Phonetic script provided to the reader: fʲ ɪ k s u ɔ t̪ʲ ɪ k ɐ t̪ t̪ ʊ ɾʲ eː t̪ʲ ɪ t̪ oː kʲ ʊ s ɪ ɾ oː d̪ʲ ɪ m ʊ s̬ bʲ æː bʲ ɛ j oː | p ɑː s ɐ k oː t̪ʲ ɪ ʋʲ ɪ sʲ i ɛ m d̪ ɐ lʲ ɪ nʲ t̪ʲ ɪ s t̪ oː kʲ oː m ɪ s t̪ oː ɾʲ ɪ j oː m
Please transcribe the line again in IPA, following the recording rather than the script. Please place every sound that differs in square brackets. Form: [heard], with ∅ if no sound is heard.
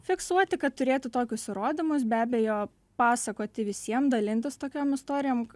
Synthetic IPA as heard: fʲ ɪ k s u ɔ t̪ʲ ɪ k ɐ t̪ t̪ ʊ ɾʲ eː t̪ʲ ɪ t̪ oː kʲ ʊ s ɪ ɾ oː d̪ʲ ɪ m ʊ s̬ bʲ æː bʲ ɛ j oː | p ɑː s ɐ k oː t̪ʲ ɪ ʋʲ ɪ sʲ i ɛ m d̪ ɐ lʲ ɪ nʲ t̪ʲ ɪ s t̪ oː kʲ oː m ɪ s t̪ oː ɾʲ ɪ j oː m